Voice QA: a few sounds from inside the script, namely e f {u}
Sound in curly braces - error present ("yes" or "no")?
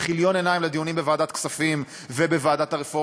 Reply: yes